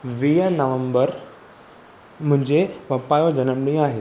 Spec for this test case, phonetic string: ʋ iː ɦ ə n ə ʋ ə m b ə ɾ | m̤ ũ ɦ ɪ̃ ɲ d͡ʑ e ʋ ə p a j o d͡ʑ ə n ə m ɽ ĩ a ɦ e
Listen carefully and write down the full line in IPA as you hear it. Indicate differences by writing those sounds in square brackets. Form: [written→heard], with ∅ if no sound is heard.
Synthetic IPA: ʋ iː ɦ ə n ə ʋ ə m b ə ɾ | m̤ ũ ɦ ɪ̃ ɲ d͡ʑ e ʋ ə p a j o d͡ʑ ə n ə m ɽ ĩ a ɦ e